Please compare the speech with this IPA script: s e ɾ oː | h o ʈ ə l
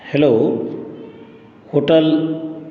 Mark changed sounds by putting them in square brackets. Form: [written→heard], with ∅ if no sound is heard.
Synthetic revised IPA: [s→h] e [ɾ→l] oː | h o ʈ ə l